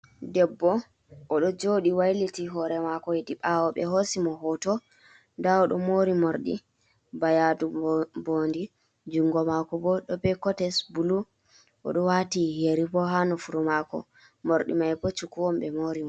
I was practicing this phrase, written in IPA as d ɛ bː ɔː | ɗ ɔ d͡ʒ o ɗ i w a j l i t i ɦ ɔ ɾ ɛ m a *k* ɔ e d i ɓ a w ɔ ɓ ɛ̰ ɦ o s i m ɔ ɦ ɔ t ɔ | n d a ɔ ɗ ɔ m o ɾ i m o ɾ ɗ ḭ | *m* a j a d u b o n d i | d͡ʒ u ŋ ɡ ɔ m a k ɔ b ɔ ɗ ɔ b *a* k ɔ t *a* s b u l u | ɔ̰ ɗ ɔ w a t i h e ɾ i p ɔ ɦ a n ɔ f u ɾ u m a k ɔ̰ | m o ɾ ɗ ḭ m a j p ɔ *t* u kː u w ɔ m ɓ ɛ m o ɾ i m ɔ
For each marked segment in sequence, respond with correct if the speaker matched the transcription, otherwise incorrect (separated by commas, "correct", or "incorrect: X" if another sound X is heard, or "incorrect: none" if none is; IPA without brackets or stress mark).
correct, incorrect: b, incorrect: ɛ, incorrect: ɛ, incorrect: t͡ʃ